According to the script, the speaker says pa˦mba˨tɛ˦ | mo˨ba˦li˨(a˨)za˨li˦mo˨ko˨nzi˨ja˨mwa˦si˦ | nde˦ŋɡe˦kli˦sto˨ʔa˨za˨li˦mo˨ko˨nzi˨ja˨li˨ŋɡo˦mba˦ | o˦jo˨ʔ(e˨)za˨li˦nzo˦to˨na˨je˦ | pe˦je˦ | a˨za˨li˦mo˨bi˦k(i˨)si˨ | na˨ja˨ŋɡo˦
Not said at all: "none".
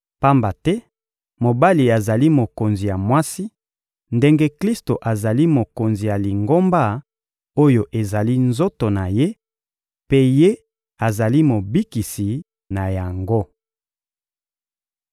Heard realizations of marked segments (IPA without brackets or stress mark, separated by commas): a˨, e˨, i˨